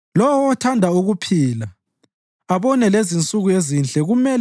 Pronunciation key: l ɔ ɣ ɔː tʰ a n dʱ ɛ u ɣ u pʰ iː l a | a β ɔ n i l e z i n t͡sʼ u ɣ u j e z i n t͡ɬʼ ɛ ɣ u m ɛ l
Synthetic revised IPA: l ɔ w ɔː tʰ a n dʱ a u ɣ u pʰ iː l a | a β ɔ n ɛ l e z i n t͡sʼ u ɣ u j e z i n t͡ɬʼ ɛ ɣ u m ɛ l